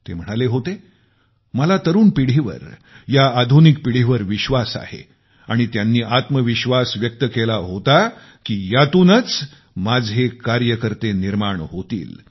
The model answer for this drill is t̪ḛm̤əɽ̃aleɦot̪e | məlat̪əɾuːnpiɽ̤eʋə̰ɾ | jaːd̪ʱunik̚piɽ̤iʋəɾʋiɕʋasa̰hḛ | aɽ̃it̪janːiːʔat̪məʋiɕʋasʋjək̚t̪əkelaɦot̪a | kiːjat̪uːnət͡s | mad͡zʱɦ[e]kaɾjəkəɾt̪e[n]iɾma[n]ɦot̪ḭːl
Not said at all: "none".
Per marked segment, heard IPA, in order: e, n, ɳ

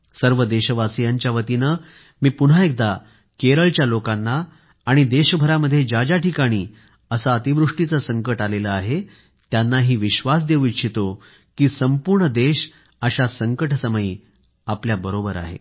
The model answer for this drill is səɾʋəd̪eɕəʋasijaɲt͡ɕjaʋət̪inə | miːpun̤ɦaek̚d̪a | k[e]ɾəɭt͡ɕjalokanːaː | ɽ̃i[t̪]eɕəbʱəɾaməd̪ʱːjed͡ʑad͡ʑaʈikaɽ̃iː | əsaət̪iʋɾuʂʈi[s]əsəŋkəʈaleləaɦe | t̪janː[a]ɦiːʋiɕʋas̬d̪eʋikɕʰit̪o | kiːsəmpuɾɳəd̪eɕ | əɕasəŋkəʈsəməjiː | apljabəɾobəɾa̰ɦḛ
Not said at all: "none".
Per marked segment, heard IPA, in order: e, d̪, t͡s, a

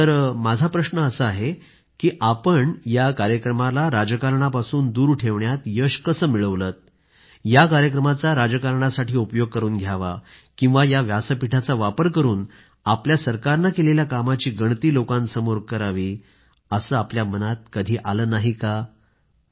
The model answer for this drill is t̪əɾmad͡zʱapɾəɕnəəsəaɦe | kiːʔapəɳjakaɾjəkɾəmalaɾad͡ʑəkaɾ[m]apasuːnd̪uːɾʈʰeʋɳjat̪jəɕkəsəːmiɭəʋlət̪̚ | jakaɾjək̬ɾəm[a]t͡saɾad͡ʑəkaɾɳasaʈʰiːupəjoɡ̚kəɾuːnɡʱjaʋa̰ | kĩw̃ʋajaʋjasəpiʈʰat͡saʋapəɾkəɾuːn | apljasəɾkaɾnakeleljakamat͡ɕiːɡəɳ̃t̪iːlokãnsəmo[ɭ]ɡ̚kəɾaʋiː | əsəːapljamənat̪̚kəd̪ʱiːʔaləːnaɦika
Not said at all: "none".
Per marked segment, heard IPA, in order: ɳ, a, ɾ

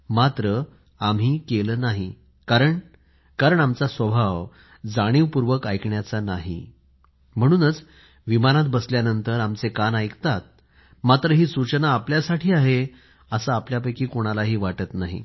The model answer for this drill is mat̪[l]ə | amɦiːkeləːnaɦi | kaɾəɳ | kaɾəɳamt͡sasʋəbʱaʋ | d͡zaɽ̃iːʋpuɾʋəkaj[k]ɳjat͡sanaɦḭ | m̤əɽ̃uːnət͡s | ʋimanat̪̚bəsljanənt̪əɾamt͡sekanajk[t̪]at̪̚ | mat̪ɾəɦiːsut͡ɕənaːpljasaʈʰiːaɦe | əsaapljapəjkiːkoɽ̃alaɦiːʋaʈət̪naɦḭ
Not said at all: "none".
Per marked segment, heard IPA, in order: ɾ, k, t̪

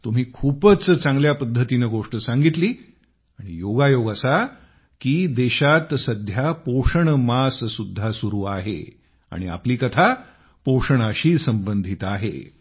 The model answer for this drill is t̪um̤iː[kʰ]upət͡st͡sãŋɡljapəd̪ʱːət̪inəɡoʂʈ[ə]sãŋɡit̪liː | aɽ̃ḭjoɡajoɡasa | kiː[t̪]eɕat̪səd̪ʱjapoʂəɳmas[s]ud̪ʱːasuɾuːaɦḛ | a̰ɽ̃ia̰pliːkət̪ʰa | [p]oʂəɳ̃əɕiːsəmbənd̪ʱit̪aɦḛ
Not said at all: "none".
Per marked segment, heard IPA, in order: kʰ, ə, d̪, s, p

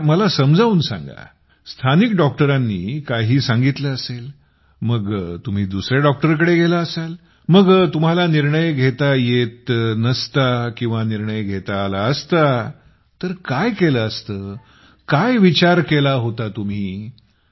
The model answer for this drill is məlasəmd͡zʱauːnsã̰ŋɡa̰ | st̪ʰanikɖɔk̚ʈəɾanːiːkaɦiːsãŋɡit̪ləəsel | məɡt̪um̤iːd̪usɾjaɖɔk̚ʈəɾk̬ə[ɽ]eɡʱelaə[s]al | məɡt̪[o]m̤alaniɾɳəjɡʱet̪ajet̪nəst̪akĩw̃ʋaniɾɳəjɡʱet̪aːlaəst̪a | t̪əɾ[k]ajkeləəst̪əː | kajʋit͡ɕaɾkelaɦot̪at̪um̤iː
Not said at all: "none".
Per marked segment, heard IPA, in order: ɽ, s, u, k

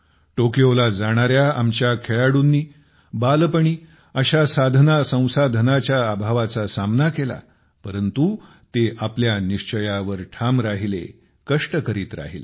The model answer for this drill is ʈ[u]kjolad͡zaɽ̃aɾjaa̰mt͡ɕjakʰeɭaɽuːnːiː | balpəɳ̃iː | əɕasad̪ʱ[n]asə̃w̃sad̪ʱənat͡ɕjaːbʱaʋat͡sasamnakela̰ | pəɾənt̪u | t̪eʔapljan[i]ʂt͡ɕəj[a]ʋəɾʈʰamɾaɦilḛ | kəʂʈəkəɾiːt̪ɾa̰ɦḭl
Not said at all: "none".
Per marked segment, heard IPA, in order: o, n, i, a

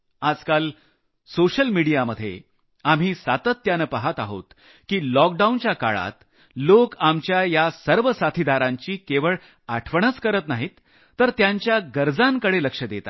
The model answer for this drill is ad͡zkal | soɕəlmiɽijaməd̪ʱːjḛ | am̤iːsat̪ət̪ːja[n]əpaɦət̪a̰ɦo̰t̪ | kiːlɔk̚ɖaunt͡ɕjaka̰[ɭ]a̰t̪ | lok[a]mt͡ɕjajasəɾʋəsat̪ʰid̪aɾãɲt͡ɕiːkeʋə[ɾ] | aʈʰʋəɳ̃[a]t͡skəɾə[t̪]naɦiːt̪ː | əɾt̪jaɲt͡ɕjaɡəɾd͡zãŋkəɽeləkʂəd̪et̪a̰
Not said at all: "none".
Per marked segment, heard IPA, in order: n, ɭ, a, ɭ, ə, t̪

